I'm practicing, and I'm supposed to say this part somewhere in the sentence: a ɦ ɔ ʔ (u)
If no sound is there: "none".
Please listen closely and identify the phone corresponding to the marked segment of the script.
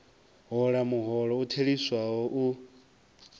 u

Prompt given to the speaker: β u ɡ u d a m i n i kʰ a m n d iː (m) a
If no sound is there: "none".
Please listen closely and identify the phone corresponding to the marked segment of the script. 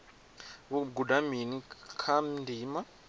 m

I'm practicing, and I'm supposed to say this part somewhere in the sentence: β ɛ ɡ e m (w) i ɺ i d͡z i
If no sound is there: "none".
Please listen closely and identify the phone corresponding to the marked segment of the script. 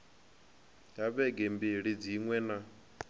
b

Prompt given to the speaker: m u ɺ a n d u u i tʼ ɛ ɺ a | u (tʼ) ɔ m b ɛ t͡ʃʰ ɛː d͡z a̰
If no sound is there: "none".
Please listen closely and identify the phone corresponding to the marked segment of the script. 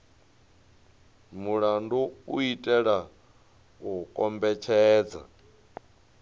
kʼ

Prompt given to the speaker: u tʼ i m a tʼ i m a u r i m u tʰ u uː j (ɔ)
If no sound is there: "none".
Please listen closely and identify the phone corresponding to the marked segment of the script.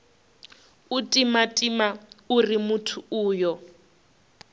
ɔ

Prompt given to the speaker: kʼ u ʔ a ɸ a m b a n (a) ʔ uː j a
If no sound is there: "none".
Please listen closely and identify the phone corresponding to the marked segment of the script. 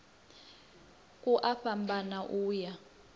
a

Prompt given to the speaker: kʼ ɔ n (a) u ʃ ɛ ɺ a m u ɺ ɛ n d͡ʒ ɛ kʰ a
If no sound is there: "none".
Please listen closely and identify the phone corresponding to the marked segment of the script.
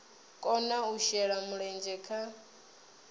a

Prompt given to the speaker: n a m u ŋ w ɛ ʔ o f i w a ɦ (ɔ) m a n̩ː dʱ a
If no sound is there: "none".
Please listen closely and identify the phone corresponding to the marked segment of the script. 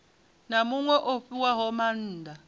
ɔ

